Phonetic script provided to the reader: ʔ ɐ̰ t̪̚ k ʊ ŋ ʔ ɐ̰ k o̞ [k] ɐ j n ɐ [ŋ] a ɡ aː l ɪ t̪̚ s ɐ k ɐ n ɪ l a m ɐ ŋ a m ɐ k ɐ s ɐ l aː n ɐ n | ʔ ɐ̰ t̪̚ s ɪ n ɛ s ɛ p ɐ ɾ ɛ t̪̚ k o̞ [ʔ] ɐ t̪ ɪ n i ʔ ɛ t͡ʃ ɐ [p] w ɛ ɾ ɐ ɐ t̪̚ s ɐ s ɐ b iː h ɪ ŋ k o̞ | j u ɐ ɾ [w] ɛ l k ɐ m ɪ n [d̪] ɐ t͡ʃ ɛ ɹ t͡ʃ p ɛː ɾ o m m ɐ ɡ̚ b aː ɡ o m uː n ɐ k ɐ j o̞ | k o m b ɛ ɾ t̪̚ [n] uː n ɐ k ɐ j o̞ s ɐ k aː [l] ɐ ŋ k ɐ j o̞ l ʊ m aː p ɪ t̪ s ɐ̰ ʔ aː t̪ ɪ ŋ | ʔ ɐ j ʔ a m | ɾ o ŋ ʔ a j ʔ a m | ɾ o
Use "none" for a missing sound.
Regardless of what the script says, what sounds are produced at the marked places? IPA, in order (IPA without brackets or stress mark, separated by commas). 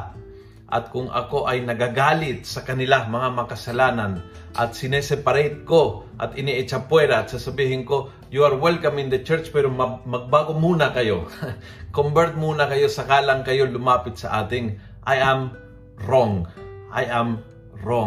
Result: ʔ, ɡ, ʔ, p, w, d̪, m, l